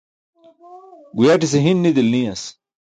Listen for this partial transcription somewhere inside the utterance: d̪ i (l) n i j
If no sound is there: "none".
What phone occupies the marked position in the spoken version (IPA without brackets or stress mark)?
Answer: l